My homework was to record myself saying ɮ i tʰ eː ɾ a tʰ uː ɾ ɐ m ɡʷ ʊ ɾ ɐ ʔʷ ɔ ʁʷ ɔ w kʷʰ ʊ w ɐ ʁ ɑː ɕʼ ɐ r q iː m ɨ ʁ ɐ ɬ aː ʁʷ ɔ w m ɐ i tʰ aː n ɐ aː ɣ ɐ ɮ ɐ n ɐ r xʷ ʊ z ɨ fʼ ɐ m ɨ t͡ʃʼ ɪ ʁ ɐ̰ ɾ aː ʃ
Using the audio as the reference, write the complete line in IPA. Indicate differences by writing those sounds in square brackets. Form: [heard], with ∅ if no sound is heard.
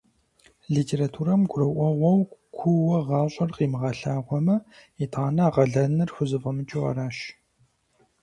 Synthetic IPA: ɮ i tʰ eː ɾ a tʰ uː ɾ ɐ m ɡʷ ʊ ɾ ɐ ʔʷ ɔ ʁʷ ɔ w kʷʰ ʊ w ɐ ʁ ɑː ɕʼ ɐ r q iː m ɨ ʁ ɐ ɬ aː ʁʷ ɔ [∅] m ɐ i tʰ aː n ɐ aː [ʁ] ɐ ɮ ɐ n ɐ r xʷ ʊ z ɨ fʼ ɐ m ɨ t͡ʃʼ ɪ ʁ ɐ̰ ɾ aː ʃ